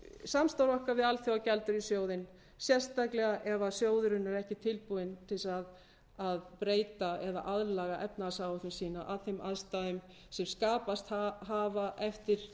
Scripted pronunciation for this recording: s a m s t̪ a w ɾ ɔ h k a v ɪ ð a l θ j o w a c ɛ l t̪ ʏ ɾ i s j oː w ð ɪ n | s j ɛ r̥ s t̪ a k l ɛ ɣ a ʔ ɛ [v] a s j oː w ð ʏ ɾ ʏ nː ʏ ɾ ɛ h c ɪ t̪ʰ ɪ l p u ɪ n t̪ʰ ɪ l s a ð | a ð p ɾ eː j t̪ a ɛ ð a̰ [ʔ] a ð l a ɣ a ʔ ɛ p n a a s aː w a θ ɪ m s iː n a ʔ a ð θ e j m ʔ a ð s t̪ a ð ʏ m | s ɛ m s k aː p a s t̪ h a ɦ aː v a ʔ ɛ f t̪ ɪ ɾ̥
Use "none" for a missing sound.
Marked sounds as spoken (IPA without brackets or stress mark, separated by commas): v, ʔ